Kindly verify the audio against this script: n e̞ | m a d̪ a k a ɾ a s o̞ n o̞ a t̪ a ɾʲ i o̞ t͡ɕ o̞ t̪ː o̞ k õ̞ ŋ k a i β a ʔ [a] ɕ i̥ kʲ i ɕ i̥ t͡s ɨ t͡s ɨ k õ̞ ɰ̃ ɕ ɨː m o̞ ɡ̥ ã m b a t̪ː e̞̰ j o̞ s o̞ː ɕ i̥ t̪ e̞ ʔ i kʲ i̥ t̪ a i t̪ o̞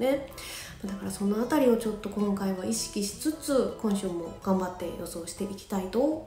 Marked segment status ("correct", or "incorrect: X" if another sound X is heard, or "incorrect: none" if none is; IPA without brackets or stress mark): incorrect: i